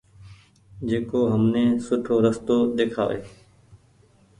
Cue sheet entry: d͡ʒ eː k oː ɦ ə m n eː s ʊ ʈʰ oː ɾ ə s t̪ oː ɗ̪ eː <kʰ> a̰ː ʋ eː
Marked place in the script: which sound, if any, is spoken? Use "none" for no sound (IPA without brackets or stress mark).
kʰ